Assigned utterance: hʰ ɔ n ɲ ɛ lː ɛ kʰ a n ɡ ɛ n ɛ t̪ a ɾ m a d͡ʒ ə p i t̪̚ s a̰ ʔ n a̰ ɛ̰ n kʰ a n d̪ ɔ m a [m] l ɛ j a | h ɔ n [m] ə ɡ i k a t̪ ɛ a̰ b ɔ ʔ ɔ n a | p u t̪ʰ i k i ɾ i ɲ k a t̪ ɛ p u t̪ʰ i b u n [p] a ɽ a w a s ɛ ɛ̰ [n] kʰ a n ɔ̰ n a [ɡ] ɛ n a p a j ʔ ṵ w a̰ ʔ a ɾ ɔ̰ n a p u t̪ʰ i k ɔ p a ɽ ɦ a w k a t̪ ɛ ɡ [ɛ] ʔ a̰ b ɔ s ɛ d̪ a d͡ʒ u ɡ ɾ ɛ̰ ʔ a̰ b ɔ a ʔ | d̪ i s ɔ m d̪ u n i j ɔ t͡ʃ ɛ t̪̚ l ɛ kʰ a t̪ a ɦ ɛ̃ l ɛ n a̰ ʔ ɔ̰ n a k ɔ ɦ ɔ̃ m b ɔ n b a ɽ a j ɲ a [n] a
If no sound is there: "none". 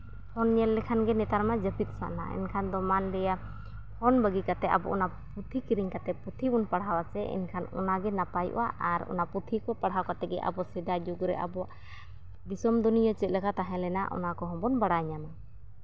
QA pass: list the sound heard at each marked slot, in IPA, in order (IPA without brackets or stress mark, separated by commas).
n, b, p, n, ɡ, ɛ, n